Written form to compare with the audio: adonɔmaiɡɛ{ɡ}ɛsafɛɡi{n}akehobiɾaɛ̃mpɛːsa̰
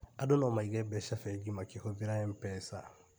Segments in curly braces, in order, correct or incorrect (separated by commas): incorrect, incorrect